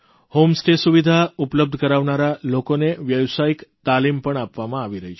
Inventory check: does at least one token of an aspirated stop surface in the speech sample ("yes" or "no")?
no